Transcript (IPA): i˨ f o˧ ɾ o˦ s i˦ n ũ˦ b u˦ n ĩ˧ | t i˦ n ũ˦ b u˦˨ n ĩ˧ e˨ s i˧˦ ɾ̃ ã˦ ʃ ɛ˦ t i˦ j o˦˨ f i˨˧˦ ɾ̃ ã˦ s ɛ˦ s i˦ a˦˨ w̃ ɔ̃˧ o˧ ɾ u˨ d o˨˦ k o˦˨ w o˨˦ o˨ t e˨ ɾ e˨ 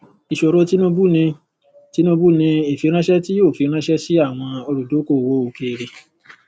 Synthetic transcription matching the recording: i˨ ʃ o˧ ɾ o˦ t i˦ n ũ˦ b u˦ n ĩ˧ | t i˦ n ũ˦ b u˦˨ n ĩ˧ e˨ f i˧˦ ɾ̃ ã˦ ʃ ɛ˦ t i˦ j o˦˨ f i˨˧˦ ɾ̃ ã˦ ʃ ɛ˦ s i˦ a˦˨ w̃ ɔ̃˧ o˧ ɾ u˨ d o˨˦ k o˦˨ w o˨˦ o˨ k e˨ ɾ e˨